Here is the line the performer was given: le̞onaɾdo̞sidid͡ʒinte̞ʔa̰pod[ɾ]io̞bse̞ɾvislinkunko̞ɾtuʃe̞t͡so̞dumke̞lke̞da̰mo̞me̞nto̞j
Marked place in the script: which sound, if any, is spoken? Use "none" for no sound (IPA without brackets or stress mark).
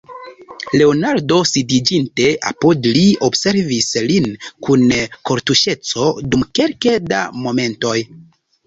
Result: l